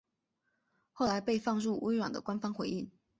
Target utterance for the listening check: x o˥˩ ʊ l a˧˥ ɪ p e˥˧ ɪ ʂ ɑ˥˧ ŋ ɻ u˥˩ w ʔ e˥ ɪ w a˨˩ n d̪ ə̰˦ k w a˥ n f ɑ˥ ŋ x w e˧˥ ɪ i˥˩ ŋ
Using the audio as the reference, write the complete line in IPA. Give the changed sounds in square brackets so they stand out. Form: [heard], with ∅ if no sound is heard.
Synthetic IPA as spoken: x o˥˩ ʊ l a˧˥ ɪ p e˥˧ ɪ [f] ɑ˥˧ ŋ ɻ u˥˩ w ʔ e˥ ɪ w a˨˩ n d̪ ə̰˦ k w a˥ n f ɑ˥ ŋ x w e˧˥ ɪ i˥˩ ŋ